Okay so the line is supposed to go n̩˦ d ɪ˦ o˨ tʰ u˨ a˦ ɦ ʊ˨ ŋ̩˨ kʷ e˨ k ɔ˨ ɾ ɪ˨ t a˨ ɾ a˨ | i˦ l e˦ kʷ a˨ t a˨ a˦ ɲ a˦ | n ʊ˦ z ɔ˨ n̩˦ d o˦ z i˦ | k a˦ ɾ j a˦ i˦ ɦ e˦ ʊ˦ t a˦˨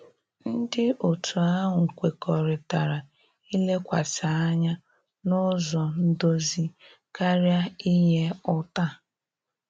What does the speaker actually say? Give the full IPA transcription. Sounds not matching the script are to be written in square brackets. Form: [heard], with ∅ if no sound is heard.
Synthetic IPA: n̩˦ d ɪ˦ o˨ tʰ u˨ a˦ ɦ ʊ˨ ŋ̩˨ kʷ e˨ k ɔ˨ ɾ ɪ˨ t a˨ ɾ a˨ | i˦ l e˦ kʷ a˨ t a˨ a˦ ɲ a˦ | n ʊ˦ z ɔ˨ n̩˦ d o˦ z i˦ | k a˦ ɾ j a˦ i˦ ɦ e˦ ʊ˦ t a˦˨

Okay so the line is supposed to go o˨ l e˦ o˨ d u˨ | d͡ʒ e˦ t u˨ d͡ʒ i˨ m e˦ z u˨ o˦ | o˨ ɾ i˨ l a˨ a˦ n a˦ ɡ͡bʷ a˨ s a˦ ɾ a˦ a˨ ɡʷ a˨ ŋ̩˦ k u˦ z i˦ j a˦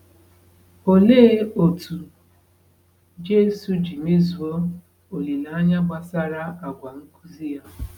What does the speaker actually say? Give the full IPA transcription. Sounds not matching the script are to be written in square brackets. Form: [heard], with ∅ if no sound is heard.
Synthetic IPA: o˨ l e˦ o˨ [t] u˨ | d͡ʒ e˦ [s] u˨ d͡ʒ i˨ m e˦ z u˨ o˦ | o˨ [l] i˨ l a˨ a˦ [ɲ] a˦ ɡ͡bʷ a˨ s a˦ ɾ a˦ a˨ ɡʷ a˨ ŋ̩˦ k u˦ z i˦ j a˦

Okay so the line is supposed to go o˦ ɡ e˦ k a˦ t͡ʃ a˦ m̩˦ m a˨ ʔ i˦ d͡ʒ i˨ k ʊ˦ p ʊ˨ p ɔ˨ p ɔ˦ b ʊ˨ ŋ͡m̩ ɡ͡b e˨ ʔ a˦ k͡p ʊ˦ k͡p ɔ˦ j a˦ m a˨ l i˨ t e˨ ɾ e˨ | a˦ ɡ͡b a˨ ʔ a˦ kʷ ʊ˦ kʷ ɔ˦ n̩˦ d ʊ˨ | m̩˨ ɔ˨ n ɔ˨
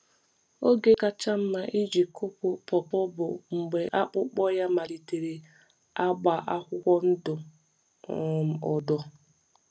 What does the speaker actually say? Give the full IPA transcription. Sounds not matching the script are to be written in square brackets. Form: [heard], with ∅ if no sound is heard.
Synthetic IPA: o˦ ɡ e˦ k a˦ t͡ʃ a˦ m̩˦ m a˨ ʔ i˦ d͡ʒ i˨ k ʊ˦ p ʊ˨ p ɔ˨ p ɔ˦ b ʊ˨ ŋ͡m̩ ɡ͡b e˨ ʔ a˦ k͡p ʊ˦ k͡p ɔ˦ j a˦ m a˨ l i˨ t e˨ ɾ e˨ | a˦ ɡ͡b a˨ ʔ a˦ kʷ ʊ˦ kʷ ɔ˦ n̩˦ d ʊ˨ | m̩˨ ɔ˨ [d] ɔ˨

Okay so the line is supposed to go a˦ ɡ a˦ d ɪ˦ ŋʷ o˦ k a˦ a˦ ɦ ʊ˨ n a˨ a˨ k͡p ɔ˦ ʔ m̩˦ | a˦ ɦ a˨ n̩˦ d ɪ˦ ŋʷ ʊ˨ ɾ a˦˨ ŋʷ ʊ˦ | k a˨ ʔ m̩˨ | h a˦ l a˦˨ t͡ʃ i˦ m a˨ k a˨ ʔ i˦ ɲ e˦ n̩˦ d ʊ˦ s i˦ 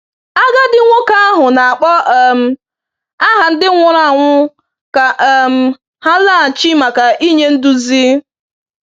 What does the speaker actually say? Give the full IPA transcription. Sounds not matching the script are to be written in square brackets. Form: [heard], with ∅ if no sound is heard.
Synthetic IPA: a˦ ɡ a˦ d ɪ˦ ŋʷ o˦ k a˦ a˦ ɦ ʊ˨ n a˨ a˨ k͡p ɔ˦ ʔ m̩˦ | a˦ ɦ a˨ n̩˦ d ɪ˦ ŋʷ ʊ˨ ɾ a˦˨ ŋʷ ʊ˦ | k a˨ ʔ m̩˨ | h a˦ l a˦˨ t͡ʃ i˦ m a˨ k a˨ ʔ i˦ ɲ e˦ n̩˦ d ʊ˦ [z] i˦

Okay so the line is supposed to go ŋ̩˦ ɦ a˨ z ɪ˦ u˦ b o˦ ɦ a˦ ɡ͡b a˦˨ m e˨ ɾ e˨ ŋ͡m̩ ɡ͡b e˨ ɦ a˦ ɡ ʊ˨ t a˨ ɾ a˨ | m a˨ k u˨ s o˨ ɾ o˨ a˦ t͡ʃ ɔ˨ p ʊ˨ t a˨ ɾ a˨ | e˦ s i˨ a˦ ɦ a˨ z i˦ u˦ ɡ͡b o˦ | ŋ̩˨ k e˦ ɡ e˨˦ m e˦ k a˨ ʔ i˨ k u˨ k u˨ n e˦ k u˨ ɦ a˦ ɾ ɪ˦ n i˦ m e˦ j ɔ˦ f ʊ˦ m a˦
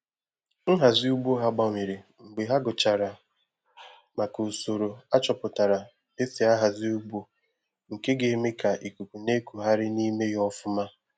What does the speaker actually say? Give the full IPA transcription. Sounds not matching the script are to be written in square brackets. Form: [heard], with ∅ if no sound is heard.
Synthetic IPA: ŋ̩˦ ɦ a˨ z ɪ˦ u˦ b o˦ ɦ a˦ ɡ͡b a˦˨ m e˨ ɾ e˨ ŋ͡m̩ ɡ͡b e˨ ɦ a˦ ɡ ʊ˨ [t͡ʃ] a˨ ɾ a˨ | m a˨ k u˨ s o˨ ɾ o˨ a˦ t͡ʃ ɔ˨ p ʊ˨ t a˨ ɾ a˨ | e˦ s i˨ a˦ ɦ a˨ z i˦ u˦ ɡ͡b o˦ | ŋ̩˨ k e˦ ɡ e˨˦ m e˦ k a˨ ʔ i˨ k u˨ k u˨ n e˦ k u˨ ɦ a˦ ɾ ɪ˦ n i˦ m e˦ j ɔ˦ f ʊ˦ m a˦

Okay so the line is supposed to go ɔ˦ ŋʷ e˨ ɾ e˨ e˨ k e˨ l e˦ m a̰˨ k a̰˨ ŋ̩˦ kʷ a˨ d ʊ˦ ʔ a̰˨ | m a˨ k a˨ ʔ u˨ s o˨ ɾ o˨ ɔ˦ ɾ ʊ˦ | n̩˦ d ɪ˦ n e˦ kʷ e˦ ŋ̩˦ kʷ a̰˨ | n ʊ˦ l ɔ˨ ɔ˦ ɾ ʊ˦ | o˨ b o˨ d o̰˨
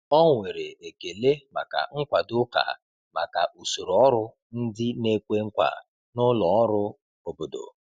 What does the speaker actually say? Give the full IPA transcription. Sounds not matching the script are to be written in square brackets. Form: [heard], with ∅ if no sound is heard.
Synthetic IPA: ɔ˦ ŋʷ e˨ ɾ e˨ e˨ k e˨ l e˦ m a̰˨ k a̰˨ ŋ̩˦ kʷ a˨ d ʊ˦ [k] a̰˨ | m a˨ k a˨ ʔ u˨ s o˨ ɾ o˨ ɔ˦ ɾ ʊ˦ | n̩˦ d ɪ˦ n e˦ kʷ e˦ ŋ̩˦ kʷ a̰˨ | n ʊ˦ l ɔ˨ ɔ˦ ɾ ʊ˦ | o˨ b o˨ d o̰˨

